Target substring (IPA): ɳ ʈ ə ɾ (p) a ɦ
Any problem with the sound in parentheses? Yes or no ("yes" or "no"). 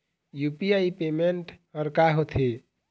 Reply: yes